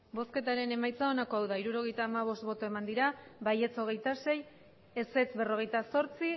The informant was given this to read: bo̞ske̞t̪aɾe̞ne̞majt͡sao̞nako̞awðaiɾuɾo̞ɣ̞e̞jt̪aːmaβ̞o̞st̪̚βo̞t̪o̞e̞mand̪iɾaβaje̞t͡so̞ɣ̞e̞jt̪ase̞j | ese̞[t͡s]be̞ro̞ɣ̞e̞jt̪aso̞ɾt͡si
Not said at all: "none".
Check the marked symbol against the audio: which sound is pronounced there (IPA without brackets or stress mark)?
t͡s